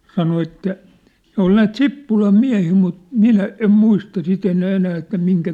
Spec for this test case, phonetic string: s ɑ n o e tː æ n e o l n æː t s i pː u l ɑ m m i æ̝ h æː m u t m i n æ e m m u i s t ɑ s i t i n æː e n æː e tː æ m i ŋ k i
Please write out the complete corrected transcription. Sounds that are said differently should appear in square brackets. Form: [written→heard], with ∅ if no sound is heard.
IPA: s ɑ n o e tː æ n e o l n æː t s i pː u l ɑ m m i æ̝ h [æː→iː] m u t m i n æ e m m u i s t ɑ s i t [i→e] n æː e n æː e tː æ m i ŋ k [i→æ]